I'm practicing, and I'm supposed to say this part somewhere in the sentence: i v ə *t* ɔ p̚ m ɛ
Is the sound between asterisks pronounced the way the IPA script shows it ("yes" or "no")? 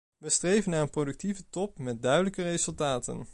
yes